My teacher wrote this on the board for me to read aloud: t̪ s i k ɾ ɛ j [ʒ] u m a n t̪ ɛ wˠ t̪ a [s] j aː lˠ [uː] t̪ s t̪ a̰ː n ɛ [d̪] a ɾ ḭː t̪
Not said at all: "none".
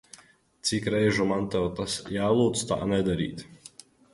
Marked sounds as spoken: ʒ, s, uː, d̪

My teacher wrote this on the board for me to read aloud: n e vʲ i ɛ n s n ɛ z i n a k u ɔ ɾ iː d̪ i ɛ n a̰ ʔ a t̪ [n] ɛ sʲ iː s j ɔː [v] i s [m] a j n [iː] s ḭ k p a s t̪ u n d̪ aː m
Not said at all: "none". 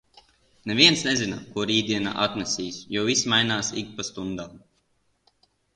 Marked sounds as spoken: n, v, m, aː

